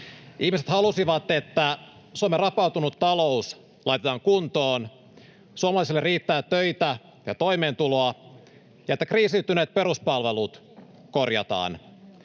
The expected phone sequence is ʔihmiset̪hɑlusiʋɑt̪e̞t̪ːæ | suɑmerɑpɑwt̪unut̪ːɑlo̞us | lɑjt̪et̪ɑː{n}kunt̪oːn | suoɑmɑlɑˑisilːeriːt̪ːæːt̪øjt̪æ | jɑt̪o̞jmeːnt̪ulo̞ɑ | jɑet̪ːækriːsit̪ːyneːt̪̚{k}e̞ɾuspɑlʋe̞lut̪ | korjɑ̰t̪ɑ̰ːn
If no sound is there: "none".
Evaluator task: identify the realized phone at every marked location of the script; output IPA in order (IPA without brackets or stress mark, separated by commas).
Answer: ŋ, p